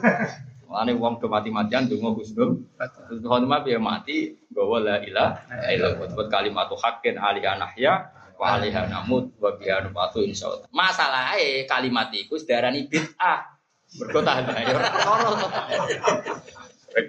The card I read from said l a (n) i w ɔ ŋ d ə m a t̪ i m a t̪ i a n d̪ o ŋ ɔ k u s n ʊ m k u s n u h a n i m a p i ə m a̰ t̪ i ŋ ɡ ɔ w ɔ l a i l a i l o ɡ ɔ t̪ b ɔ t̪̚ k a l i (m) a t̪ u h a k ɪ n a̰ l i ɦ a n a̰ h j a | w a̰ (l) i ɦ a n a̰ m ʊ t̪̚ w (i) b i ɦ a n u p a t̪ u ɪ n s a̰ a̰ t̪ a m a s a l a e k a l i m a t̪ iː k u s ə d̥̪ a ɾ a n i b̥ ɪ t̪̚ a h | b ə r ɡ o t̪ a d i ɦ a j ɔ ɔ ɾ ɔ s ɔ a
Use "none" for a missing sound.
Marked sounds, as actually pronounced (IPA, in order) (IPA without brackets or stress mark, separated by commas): n, m, l, a